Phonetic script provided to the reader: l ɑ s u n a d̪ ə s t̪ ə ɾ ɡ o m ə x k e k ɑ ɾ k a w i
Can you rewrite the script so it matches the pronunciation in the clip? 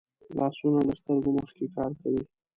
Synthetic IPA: l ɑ s u n a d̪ ə s t̪ ə ɾ ɡ o m ə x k e k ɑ ɾ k a w i